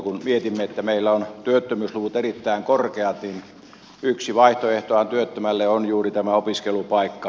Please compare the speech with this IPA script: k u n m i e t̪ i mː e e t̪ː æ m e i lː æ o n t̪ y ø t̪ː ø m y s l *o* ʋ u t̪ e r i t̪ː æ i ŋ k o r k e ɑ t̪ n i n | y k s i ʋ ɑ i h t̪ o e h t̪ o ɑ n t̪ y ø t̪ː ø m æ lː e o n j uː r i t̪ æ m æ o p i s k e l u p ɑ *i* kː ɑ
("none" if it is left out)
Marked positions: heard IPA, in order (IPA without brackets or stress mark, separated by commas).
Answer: u, i